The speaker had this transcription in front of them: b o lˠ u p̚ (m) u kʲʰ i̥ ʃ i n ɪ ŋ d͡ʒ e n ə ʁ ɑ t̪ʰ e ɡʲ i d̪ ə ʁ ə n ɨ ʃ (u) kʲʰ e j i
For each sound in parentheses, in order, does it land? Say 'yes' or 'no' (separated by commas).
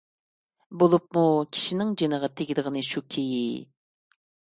yes, yes